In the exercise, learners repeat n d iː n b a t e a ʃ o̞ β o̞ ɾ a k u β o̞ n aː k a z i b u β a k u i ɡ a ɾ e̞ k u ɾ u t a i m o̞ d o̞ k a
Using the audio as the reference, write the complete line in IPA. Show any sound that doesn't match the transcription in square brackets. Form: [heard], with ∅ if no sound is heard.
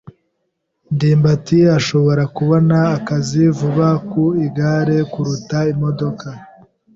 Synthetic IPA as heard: n d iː [m] b a t [i] a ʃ o̞ β o̞ ɾ a k u β o̞ n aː k a z i [v] u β a k u i ɡ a ɾ e̞ k u ɾ u t a i m o̞ d o̞ k a